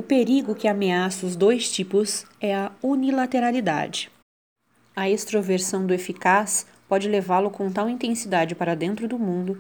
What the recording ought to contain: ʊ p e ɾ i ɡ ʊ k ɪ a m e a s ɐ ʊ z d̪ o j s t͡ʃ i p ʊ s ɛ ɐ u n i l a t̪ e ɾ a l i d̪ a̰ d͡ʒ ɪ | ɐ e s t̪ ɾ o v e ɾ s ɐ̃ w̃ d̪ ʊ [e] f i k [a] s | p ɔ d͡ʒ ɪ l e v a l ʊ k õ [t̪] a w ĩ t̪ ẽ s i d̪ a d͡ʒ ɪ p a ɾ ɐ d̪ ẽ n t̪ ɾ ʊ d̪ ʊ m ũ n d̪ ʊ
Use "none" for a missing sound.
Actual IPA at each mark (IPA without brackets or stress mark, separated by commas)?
e, a, t̪